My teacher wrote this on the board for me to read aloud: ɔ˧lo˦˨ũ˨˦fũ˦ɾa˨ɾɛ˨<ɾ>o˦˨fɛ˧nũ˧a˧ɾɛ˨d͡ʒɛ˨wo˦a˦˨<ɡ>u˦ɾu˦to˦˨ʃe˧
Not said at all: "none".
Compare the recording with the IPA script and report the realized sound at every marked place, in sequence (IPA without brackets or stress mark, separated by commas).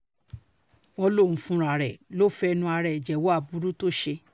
l, b